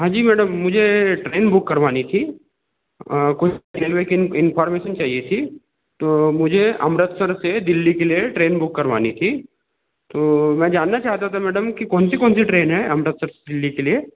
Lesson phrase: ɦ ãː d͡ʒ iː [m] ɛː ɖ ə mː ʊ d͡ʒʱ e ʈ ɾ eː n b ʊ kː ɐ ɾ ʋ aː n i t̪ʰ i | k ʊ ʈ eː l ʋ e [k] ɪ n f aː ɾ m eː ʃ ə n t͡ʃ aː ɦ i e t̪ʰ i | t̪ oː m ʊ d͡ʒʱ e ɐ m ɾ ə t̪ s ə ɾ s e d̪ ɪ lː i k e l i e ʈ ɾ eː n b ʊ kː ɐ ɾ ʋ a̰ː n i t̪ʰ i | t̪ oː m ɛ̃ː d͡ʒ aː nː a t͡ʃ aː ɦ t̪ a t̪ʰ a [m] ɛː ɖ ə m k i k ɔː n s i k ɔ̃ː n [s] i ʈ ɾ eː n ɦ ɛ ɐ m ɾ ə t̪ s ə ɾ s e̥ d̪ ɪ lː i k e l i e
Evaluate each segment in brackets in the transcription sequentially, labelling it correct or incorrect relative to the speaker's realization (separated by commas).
correct, correct, correct, correct